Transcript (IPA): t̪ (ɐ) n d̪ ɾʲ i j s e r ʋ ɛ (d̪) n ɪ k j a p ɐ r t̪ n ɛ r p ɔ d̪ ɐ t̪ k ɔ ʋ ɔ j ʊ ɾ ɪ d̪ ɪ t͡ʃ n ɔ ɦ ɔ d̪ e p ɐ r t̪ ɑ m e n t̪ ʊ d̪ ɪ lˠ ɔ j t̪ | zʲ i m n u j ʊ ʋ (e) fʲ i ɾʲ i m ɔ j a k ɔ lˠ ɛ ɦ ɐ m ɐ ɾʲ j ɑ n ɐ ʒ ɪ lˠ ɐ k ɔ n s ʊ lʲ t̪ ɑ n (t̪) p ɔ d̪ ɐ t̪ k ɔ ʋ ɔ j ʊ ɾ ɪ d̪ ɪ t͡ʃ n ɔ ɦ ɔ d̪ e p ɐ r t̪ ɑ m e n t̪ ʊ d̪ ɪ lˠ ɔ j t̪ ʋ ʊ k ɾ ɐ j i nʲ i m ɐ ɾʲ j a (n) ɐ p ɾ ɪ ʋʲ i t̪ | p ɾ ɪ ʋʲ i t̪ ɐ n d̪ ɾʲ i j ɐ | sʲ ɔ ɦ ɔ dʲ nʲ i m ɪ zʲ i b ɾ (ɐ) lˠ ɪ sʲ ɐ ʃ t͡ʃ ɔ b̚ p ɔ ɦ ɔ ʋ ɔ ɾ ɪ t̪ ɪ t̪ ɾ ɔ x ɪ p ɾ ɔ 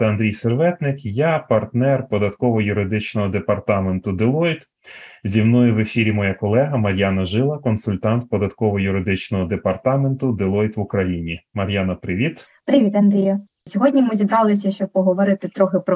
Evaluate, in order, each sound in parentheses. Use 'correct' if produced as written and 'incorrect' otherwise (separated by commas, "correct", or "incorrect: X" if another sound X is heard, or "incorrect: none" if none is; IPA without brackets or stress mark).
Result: correct, incorrect: t̪, correct, correct, correct, incorrect: ɑ